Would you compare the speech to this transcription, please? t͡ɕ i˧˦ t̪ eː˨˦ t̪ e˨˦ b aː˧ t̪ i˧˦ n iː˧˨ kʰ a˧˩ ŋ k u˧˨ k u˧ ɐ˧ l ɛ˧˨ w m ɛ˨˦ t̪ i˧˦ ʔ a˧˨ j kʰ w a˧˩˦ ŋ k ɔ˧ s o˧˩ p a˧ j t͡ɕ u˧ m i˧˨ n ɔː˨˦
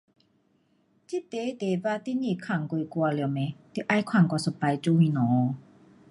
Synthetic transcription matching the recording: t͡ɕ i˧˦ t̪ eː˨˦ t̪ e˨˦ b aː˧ t̪ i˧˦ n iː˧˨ kʰ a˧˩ ŋ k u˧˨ k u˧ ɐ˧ l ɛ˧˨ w m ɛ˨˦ t̪ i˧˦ ʔ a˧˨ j kʰ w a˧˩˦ ŋ k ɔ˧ s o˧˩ p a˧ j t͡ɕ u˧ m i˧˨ n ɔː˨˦